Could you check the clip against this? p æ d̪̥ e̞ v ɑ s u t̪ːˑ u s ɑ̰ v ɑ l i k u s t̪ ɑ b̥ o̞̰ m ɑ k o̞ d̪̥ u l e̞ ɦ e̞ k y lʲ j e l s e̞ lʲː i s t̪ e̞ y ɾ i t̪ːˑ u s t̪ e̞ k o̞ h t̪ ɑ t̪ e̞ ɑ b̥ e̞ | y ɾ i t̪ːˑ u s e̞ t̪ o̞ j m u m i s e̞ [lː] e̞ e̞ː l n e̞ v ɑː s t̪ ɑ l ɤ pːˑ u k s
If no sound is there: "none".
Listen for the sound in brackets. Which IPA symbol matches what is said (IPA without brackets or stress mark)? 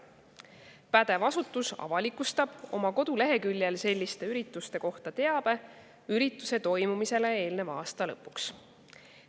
l